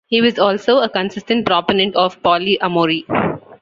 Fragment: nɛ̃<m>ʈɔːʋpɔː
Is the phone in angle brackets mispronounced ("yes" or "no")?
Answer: yes